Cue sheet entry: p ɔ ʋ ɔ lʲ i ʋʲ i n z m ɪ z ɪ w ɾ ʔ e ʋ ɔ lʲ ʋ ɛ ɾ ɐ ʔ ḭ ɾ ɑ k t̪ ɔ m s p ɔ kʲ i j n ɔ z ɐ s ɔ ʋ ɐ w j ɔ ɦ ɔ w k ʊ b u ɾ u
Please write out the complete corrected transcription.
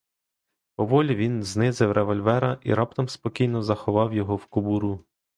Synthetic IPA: p ɔ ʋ ɔ lʲ i ʋʲ i n z n ɪ z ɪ w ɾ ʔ e ʋ ɔ lʲ ʋ ɛ ɾ ɐ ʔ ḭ ɾ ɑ p t̪ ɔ m s p ɔ kʲ i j n ɔ z ɐ x ɔ ʋ ɑ w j ɔ ɦ ɔ w k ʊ b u ɾ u